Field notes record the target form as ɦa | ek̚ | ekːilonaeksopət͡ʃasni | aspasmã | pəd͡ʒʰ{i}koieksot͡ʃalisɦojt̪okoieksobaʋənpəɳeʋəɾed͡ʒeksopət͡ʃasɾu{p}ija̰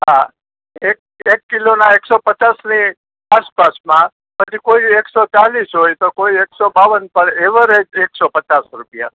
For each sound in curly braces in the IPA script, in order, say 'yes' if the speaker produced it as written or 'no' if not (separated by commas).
yes, yes